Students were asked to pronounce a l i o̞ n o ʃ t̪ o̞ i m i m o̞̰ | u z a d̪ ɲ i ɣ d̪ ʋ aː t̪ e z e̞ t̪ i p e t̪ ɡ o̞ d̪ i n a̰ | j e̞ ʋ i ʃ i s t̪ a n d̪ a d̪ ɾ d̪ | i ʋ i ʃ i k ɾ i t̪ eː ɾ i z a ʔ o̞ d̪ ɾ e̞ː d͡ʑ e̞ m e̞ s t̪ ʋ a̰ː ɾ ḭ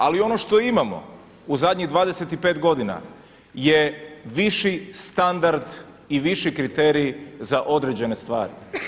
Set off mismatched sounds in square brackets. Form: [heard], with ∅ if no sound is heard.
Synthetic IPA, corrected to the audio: a l i o̞ n o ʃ t̪ o̞ i m [a] m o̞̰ | u z a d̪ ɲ i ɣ d̪ ʋ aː [d̪] e [s] e̞ t̪ i p e t̪ ɡ o̞ d̪ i n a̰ | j e̞ ʋ i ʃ i s t̪ a n d̪ a [∅] ɾ d̪ | i ʋ i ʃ i k ɾ i t̪ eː ɾ i z a ʔ o̞ d̪ ɾ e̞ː d͡ʑ e̞ [n] e̞ s t̪ ʋ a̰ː ɾ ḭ